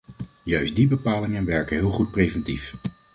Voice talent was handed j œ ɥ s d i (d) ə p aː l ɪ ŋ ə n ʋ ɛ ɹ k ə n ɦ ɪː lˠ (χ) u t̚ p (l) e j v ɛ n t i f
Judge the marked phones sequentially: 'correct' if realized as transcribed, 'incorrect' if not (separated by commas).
incorrect, correct, incorrect